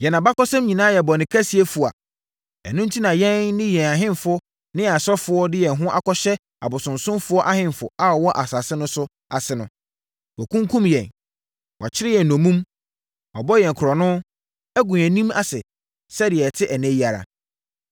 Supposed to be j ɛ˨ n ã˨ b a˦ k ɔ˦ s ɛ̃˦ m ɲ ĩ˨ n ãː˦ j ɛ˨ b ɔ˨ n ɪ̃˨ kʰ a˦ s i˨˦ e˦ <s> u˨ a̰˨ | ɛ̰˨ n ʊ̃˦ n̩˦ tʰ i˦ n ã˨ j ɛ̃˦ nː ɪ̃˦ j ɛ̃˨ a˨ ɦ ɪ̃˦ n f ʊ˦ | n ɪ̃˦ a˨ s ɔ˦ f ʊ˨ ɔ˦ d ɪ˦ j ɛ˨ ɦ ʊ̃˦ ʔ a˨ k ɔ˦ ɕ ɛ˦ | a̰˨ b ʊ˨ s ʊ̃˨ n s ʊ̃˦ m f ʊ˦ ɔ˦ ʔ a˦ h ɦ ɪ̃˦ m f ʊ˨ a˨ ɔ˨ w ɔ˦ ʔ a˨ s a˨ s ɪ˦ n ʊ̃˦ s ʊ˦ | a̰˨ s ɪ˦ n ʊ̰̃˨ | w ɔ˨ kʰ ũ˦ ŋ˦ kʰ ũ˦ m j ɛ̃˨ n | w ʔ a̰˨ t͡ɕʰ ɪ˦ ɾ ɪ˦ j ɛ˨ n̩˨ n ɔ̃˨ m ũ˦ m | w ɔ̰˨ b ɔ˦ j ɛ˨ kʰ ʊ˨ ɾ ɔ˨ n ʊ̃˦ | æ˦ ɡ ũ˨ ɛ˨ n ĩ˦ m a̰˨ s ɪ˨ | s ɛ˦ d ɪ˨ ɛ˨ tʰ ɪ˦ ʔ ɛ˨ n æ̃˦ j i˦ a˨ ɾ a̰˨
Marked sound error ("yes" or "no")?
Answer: yes